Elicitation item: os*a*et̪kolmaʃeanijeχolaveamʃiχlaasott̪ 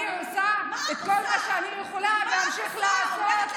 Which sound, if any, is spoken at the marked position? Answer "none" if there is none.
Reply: a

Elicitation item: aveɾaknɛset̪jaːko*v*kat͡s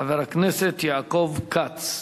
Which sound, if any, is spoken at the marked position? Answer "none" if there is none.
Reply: v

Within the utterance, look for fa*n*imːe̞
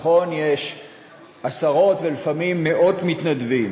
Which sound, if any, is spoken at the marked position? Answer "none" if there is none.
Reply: m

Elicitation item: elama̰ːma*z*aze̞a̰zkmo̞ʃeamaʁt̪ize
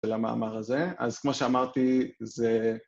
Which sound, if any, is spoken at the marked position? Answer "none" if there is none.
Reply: ʁ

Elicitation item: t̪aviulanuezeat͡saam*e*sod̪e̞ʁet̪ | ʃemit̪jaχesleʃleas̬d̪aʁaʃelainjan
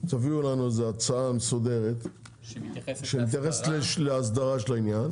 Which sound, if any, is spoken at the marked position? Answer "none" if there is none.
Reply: e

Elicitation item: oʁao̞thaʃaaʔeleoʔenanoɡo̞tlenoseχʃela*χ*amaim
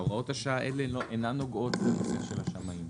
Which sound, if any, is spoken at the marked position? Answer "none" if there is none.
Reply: ʃ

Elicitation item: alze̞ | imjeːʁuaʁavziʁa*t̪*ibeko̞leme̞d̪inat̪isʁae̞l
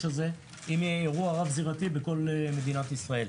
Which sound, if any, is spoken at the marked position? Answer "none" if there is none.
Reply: t̪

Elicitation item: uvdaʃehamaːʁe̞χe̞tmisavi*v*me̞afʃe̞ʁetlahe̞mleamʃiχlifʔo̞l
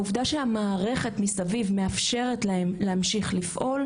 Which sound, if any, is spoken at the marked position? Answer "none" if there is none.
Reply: v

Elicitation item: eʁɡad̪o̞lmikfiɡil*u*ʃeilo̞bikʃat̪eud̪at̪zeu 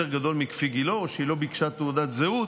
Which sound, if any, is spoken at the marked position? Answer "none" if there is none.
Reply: o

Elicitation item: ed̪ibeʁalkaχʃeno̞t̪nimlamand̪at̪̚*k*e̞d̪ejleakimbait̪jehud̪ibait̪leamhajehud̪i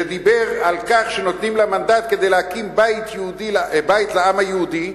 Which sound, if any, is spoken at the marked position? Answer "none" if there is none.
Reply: k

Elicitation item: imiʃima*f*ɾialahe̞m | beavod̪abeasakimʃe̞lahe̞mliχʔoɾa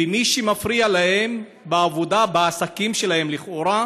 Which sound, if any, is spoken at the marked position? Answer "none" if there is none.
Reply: f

